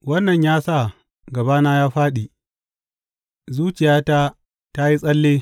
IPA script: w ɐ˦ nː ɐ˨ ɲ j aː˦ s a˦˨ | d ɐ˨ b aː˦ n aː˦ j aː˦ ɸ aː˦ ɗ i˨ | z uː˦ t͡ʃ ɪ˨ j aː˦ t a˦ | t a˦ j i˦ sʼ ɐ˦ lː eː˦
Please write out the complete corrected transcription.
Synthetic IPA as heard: w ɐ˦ nː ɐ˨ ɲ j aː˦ s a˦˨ | ɡ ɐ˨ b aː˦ n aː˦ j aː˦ ɸ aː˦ ɗ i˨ | z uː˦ t͡ʃ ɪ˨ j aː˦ t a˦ | t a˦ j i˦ sʼ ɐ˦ lː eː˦